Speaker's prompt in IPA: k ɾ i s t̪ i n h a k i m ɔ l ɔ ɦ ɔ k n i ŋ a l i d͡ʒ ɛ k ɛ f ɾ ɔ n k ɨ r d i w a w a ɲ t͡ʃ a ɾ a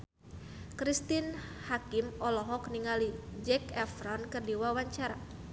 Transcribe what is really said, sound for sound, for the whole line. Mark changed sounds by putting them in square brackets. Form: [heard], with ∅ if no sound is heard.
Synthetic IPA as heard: k ɾ i s t̪ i n h a k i m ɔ l ɔ ɦ ɔ k n i ŋ a l i d͡ʒ ɛ k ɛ f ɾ ɔ n k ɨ r d i w a w a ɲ t͡ʃ a ɾ a

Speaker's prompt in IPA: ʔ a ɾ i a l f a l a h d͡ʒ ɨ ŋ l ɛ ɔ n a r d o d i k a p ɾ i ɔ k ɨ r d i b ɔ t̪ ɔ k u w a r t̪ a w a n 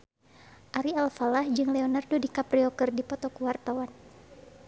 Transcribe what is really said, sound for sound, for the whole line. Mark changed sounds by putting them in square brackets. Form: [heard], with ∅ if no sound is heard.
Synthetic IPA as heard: ʔ a ɾ i a l f a l a h d͡ʒ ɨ ŋ l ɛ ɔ n a r d o d i k a p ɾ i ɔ k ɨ r d i [p] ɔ t̪ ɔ k u w a r t̪ a w a n

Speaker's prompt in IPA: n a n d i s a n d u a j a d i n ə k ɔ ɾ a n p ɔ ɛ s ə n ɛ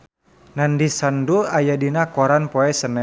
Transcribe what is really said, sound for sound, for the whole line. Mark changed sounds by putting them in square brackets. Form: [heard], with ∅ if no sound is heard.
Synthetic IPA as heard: n a n d i s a n d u a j a d i n [a] k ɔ ɾ a n p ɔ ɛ s ə n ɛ

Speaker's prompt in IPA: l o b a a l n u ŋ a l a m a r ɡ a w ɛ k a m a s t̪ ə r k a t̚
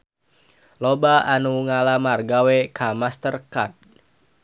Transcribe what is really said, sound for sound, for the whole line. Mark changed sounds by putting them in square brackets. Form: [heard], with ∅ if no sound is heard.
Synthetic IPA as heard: l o b a a [∅] n u ŋ a l a m a r ɡ a w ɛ k a m a s t̪ ə r k a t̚

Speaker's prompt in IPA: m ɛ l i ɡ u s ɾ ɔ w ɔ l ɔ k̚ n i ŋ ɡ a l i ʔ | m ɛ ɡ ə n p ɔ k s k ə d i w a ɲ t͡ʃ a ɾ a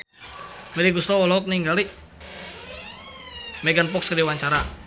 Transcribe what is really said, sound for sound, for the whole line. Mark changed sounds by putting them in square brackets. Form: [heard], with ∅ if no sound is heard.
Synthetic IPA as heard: m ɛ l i ɡ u s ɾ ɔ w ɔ l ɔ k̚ n i ŋ ɡ a l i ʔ | m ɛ ɡ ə n p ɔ k s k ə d i w a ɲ t͡ʃ a ɾ a

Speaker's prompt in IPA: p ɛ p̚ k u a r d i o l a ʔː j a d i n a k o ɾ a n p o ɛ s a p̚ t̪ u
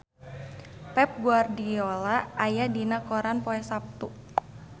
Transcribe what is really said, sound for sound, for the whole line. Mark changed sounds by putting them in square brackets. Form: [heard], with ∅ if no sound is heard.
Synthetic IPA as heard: p ɛ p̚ [ɡ] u a r d i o l a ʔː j a d i n a k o ɾ a n p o ɛ s a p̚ t̪ u

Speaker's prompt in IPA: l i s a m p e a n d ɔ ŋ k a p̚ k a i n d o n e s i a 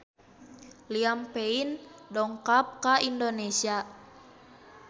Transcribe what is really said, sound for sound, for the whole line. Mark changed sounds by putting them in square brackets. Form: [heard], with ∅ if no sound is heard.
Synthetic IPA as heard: l i [∅] a m p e [i] n d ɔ ŋ k a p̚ k a i n d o n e s i a

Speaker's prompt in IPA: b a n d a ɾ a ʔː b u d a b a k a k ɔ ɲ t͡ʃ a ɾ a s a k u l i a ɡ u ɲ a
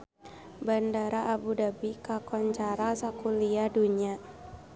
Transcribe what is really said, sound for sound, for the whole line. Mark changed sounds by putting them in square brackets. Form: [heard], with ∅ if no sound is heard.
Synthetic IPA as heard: b a n d a ɾ a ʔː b u d a b [i] k a k ɔ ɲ t͡ʃ a ɾ a s a k u l i a [d] u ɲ a

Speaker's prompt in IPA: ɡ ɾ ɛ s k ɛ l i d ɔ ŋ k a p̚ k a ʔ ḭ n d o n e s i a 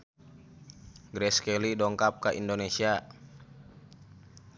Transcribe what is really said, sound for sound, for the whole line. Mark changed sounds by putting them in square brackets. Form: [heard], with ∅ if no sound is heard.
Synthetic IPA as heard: ɡ ɾ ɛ s k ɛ l i d ɔ ŋ k a p̚ k a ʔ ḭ n d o n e s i a

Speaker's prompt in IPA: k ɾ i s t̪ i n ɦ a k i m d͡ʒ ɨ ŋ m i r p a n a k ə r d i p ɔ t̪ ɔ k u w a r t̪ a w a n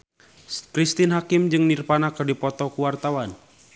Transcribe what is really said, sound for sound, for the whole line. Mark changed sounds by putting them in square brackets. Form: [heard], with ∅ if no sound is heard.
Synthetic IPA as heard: k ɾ i s t̪ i n ɦ a k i m d͡ʒ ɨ ŋ [n] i r p a n a k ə r d i p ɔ t̪ ɔ k u w a r t̪ a w a n

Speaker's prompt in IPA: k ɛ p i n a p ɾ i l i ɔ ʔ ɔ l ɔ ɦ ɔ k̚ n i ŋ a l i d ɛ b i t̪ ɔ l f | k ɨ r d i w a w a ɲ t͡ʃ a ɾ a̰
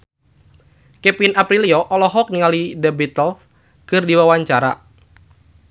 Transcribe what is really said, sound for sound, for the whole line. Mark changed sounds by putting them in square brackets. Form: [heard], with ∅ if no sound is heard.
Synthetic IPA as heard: k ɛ p i n a p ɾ i l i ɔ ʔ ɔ l ɔ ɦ ɔ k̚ n i ŋ a l i d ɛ b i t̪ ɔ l f | k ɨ r d i w a w a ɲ t͡ʃ a ɾ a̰

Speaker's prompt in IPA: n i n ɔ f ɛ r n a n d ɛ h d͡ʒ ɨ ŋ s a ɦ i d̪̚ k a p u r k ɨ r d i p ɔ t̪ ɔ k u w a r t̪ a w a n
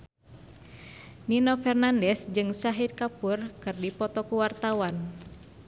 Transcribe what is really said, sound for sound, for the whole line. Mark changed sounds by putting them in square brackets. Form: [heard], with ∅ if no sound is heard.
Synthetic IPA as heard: n i n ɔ f ɛ r n a n d ɛ [s] d͡ʒ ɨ ŋ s a ɦ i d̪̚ k a p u r k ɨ r d i p ɔ t̪ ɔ k u w a r t̪ a w a n

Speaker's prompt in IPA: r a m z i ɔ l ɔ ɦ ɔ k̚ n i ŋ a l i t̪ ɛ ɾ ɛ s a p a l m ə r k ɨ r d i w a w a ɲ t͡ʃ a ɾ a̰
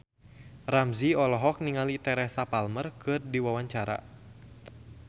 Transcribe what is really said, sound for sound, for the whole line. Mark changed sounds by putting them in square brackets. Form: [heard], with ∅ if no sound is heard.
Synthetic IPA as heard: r a m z i ɔ l ɔ ɦ ɔ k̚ n i ŋ a l i t̪ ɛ ɾ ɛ s a p a l m ə r k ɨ r d i w a w a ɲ t͡ʃ a ɾ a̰

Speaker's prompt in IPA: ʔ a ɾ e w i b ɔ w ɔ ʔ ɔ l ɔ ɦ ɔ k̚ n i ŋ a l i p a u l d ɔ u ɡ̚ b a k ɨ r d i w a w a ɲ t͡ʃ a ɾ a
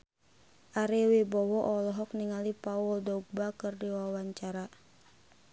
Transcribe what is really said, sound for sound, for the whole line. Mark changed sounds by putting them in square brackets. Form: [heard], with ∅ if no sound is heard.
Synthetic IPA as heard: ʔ a ɾ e w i b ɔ w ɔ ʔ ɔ l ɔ ɦ ɔ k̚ n i ŋ a l i p a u l d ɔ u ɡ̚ b a k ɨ r d i w a w a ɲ t͡ʃ a ɾ a

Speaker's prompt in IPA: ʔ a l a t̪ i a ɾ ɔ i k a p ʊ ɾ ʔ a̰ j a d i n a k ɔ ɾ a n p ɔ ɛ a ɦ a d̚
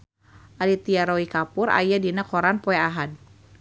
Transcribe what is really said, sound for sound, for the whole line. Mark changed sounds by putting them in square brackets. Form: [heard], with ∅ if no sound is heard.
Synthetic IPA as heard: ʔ a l [i] t̪ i a ɾ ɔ i k a p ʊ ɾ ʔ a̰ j a d i n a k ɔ ɾ a n p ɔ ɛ a ɦ a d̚

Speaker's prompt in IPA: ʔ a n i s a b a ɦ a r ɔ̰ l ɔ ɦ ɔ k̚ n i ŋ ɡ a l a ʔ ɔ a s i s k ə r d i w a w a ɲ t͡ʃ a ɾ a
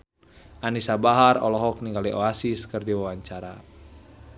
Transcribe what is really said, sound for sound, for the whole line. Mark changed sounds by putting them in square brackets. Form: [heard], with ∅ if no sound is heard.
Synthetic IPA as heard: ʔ a n i s a b a ɦ a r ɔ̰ l ɔ ɦ ɔ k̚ n i ŋ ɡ a l [i] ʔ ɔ a s i s k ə r d i w a w a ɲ t͡ʃ a ɾ a

